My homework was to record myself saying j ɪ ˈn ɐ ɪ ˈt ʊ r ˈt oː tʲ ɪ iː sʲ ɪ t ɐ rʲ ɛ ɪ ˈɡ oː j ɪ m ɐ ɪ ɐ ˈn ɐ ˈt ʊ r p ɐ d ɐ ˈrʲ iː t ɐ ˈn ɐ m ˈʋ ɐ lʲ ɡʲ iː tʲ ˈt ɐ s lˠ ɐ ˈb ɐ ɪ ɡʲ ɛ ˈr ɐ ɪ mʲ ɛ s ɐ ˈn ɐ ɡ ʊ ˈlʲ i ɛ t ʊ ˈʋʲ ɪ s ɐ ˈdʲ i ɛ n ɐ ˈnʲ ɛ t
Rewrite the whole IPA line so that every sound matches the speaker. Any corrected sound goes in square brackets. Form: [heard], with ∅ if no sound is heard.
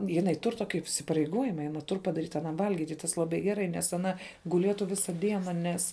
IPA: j ɪ ˈn ɐ ɪ ˈt ʊ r ˈt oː [kʲ] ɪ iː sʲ ɪ [p] ɐ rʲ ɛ ɪ ˈɡ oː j ɪ m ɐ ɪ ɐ ˈn ɐ ˈt ʊ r p ɐ d ɐ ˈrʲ iː t ɐ ˈn ɐ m ˈʋ ɐ lʲ ɡʲ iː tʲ ˈt ɐ s lˠ ɐ ˈb ɐ ɪ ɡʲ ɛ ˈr ɐ ɪ [nʲ] ɛ s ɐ ˈn ɐ ɡ ʊ ˈlʲ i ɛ t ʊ ˈʋʲ ɪ s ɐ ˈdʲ i ɛ n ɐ ˈnʲ ɛ [s]

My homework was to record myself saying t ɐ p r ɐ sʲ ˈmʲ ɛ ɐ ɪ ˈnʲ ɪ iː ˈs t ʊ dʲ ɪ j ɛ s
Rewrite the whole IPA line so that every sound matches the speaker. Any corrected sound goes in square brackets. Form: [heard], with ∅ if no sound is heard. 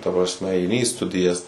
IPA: t ɐ p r ɐ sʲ ˈmʲ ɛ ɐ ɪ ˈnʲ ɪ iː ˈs t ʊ dʲ ɪ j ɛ s

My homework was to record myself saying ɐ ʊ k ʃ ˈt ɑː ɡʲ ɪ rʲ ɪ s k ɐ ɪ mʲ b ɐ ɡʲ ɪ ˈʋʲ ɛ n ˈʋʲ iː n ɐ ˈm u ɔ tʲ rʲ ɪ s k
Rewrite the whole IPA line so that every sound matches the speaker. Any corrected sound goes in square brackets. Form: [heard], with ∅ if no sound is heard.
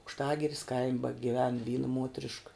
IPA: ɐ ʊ k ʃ ˈt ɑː ɡʲ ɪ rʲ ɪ s k ɐ ɪ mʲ b ɐ ɡʲ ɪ ˈʋʲ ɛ n ˈʋʲ iː n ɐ ˈm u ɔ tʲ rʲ ɪ [ʃ] k

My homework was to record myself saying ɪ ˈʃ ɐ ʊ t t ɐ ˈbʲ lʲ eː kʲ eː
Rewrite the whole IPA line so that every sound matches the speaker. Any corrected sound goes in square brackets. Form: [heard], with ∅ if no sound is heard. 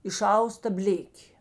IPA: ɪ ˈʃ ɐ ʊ [s] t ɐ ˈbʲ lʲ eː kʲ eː

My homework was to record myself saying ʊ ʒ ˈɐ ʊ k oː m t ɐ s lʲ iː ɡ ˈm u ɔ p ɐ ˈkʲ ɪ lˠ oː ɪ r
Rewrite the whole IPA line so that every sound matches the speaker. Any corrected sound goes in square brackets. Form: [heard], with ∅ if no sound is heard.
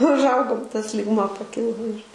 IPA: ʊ ʒ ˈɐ ʊ [ɡ] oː m t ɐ s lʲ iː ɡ ˈm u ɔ p ɐ ˈkʲ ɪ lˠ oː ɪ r

